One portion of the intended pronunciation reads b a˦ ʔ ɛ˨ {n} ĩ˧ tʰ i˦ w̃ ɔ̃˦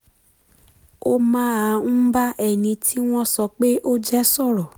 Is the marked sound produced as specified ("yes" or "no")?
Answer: yes